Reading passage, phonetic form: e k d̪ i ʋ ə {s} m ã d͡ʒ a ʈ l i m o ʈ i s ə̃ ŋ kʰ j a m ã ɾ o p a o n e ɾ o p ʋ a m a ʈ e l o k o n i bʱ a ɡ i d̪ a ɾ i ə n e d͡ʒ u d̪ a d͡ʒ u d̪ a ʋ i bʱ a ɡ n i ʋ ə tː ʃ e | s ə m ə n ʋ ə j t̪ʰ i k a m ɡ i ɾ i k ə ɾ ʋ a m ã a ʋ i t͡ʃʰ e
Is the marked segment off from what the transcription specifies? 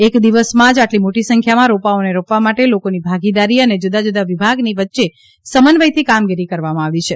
no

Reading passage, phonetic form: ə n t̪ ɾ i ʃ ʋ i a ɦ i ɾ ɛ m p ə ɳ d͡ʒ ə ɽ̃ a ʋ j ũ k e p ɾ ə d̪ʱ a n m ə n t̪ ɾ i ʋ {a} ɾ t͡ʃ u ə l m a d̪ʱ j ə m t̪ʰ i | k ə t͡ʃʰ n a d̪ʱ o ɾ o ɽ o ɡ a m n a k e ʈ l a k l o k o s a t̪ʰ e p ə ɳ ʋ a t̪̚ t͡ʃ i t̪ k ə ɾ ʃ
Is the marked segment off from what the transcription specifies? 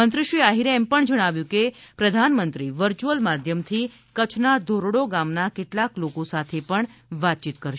yes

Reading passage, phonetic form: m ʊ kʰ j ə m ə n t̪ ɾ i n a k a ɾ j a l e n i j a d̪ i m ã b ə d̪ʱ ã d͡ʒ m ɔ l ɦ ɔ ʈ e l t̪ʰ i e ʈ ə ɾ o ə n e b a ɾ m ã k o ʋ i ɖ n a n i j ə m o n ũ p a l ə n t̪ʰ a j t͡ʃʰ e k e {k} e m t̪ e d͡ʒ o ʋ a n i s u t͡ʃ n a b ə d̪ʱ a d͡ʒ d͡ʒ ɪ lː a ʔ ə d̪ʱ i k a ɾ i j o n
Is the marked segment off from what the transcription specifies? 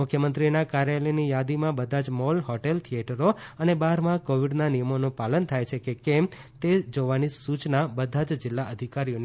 no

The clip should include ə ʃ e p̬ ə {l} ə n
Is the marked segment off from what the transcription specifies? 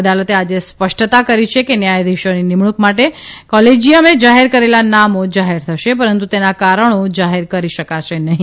yes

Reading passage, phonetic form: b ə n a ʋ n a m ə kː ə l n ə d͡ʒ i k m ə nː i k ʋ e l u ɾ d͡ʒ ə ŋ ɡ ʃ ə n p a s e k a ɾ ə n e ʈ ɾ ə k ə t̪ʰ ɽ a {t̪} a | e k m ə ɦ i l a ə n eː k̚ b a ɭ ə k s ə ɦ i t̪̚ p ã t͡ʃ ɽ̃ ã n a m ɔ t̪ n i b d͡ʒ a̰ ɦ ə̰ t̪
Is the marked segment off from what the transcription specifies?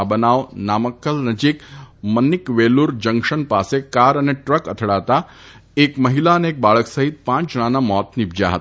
no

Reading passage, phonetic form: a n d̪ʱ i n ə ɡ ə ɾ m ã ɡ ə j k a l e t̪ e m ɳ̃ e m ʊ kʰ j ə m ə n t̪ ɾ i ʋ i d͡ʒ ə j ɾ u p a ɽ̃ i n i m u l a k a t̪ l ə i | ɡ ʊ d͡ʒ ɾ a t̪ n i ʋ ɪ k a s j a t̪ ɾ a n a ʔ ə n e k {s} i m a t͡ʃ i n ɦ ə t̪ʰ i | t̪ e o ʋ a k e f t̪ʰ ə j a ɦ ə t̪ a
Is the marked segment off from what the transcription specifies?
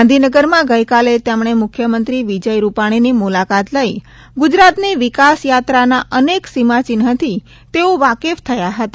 no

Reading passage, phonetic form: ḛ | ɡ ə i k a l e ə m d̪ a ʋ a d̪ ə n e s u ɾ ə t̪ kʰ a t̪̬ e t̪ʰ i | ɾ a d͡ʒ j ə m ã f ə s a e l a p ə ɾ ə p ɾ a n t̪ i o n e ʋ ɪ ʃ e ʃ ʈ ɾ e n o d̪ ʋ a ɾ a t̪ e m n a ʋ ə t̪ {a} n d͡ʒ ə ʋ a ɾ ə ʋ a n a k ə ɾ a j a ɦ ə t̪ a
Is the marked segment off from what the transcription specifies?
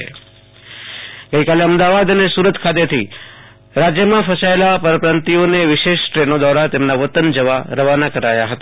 yes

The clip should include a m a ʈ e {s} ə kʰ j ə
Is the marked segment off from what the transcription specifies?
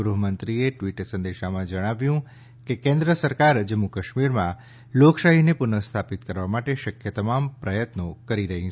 yes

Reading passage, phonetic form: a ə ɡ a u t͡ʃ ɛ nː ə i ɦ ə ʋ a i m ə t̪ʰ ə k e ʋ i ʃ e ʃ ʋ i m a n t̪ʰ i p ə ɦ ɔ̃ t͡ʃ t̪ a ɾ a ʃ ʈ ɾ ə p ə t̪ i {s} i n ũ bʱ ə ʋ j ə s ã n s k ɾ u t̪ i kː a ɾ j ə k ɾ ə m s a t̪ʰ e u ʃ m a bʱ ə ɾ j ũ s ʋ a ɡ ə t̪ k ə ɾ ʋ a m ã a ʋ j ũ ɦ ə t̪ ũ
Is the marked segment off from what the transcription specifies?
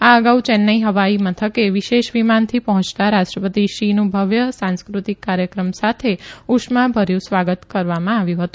yes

